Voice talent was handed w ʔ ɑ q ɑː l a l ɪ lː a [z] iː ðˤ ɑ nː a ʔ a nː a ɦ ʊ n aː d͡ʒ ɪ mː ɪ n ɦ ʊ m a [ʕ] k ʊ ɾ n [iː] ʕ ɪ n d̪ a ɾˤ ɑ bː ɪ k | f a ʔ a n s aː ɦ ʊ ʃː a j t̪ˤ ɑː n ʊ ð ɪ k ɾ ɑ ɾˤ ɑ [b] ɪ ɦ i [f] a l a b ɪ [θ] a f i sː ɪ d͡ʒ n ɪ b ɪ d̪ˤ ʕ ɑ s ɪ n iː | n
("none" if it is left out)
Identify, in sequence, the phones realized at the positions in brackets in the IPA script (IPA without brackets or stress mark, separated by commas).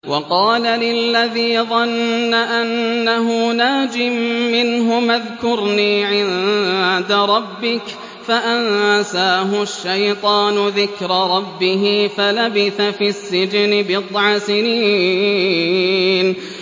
ð, ð, iː, bː, f, θ